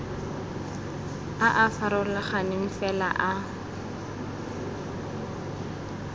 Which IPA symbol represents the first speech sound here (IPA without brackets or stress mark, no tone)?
a